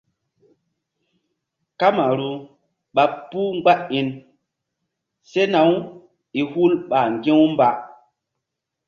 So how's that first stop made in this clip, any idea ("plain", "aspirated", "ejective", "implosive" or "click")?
plain